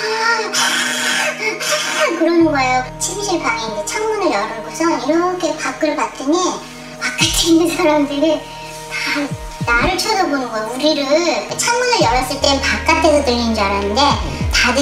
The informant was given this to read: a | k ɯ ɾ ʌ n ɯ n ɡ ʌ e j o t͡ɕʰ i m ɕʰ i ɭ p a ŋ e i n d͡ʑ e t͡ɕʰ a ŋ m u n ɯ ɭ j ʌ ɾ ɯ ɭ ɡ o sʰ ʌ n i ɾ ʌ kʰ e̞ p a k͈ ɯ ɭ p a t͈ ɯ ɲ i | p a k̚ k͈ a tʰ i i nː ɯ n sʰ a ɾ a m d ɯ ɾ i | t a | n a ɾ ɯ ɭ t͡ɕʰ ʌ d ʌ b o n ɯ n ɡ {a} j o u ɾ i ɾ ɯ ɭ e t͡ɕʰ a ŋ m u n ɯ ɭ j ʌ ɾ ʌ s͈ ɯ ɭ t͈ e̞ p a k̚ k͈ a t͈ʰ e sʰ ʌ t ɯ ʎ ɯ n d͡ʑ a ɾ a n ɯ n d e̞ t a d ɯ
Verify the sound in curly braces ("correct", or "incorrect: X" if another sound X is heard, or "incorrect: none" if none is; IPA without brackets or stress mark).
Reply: incorrect: ʌ